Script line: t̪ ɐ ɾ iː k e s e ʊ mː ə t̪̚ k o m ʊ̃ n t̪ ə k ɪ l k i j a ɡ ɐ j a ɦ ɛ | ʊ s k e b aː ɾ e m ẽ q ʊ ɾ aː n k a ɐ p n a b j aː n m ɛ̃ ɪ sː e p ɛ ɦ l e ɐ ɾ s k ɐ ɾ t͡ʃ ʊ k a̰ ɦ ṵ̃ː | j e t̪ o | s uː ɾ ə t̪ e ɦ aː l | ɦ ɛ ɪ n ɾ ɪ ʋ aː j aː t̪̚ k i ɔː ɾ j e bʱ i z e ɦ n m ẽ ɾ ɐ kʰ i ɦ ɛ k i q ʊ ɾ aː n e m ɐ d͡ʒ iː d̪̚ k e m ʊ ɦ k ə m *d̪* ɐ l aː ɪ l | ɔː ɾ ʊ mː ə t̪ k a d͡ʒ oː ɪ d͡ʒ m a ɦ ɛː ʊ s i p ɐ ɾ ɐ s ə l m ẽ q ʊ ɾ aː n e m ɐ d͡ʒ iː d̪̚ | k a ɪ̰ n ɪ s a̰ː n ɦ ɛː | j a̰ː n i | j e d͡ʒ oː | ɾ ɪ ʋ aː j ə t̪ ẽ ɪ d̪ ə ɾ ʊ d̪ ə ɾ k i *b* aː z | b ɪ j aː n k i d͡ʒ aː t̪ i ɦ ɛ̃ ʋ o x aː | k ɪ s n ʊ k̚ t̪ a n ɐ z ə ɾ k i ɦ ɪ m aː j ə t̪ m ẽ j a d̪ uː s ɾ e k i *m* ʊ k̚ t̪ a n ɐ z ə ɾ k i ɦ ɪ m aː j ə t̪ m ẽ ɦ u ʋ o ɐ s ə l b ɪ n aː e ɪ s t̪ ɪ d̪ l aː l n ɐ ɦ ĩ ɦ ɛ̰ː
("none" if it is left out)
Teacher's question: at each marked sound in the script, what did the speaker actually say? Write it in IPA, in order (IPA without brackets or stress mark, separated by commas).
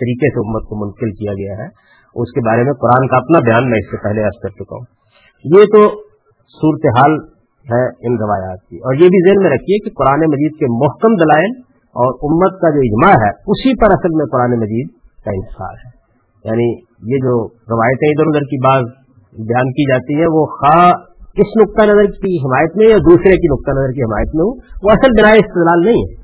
d̪, b, n